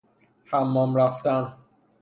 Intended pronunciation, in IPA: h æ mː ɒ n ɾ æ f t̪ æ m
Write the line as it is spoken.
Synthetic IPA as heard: h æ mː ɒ m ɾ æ f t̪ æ n